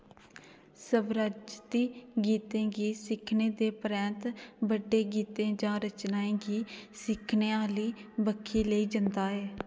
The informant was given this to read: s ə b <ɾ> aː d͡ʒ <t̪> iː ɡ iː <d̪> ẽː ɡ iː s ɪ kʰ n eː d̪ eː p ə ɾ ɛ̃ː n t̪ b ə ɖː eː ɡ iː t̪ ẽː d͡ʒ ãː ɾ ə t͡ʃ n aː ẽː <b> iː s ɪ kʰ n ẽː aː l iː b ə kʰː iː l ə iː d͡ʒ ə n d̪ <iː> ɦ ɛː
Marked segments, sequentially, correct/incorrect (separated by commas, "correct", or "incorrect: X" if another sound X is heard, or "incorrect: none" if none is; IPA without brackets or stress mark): correct, correct, incorrect: t̪, incorrect: ɡ, incorrect: aː